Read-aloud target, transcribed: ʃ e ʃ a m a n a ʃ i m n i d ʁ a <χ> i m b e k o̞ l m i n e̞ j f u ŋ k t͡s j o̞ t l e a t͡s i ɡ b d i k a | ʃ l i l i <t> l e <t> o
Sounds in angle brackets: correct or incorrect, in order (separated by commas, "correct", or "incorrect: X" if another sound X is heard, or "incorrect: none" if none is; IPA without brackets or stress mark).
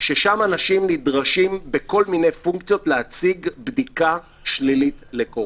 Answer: incorrect: ʃ, correct, incorrect: k